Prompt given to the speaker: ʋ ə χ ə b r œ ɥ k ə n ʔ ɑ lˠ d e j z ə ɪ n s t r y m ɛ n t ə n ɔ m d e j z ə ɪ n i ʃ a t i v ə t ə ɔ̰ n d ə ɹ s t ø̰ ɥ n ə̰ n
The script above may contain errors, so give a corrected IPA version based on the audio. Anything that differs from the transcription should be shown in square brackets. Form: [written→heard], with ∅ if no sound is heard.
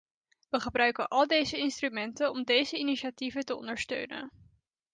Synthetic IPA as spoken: ʋ ə χ ə b r œ ɥ k ə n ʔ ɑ lˠ d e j z ə ɪ n s t r y m ɛ n t ə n ɔ m d e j z ə [ɪ→i] n i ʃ a t i v ə t ə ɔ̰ n d ə ɹ s t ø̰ ɥ n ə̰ n